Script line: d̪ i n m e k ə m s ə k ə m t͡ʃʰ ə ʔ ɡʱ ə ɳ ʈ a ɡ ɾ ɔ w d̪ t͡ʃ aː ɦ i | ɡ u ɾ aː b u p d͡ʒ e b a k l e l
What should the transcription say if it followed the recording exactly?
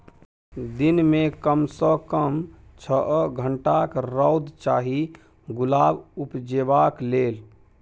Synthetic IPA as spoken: d̪ i n m e k ə m s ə k ə m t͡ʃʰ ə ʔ ɡʱ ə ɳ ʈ a k ɾ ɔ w d̪ t͡ʃ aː ɦ i | ɡ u l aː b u p d͡ʒ e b a k l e l